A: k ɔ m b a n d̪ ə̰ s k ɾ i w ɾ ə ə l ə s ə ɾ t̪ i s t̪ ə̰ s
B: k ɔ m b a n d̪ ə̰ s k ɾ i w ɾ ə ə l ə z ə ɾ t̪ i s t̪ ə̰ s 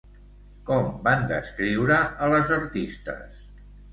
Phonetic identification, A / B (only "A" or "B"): B